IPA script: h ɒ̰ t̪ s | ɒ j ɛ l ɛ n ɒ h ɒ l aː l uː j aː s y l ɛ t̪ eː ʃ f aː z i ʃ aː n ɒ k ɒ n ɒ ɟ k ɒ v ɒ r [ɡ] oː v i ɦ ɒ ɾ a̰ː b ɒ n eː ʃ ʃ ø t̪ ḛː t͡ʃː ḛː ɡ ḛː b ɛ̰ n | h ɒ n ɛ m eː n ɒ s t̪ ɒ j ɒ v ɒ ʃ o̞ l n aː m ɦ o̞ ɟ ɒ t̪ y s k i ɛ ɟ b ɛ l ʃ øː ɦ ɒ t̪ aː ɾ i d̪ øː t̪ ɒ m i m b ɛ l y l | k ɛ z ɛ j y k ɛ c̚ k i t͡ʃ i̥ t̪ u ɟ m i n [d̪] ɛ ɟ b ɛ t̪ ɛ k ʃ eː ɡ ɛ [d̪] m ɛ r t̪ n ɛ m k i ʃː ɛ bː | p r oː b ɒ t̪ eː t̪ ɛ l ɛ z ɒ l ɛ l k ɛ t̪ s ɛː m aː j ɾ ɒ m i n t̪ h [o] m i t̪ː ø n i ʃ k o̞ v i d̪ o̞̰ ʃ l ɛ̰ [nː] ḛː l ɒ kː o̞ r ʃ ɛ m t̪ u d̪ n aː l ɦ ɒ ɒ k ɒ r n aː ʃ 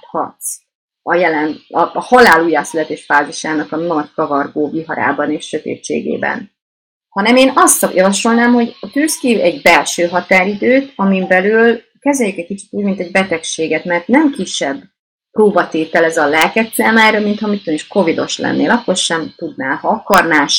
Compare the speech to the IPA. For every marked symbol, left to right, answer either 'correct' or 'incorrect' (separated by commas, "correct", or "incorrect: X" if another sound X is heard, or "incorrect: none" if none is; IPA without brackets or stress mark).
correct, incorrect: t̪, incorrect: t̪, incorrect: ɒ, correct